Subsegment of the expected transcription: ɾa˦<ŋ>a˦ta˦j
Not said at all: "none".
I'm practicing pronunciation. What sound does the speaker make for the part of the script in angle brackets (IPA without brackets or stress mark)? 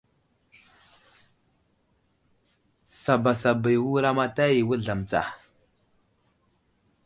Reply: m